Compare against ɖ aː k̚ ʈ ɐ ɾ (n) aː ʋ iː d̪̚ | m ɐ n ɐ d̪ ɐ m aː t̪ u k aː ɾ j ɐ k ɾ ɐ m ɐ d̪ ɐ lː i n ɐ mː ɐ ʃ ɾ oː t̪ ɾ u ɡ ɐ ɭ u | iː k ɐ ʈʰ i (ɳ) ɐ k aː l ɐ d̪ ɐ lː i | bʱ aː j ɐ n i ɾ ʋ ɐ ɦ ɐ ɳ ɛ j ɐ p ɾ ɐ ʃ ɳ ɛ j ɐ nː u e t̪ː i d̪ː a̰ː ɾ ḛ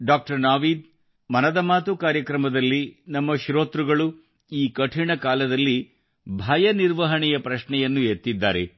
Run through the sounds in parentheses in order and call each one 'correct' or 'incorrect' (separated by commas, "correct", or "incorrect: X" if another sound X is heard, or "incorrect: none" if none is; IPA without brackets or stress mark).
correct, correct